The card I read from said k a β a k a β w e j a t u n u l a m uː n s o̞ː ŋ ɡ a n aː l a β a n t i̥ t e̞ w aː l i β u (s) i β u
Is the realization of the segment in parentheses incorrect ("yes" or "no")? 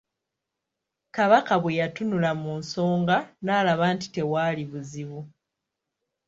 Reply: yes